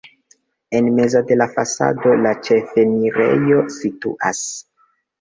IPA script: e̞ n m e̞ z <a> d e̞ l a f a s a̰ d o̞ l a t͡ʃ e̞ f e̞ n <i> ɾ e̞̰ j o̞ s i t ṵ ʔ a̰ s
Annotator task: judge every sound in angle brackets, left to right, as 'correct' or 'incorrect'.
correct, correct

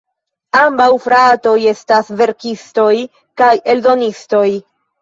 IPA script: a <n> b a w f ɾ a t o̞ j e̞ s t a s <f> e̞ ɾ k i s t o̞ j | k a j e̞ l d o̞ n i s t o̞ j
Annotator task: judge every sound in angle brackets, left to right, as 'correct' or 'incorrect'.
incorrect, incorrect

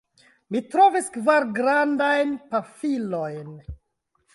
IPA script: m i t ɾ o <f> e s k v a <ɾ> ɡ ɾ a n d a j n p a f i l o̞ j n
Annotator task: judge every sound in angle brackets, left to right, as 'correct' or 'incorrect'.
incorrect, correct

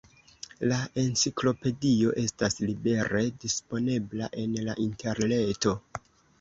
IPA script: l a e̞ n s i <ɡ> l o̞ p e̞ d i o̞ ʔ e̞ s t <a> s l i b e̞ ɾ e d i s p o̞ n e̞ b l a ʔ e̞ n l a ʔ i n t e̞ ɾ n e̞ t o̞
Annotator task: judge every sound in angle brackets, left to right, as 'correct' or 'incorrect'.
incorrect, correct

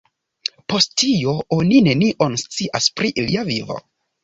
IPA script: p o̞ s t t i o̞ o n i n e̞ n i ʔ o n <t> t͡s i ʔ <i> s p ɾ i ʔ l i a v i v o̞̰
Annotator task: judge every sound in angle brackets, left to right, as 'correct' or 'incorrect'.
incorrect, incorrect

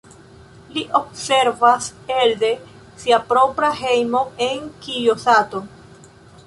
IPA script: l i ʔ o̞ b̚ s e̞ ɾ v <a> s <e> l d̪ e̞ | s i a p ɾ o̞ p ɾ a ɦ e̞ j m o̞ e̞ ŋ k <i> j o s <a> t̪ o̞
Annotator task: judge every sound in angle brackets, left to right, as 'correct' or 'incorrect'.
correct, correct, correct, correct

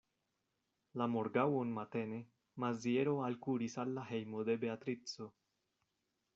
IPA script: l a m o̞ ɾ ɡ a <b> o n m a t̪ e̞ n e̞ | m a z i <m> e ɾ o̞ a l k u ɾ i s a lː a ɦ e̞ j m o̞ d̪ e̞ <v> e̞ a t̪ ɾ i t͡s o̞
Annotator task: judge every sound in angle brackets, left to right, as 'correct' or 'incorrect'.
incorrect, incorrect, incorrect

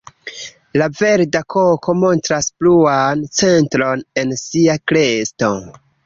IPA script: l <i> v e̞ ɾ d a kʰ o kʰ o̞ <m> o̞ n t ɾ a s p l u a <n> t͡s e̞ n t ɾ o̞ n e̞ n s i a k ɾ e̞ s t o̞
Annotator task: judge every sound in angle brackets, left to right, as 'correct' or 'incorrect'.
incorrect, correct, correct

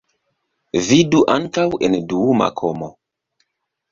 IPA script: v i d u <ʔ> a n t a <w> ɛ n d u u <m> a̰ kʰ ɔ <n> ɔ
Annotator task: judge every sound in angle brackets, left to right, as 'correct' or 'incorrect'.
correct, correct, correct, incorrect

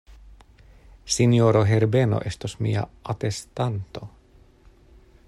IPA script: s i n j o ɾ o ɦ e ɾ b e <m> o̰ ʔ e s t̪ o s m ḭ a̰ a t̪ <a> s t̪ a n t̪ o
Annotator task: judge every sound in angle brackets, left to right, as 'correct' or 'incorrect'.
incorrect, incorrect

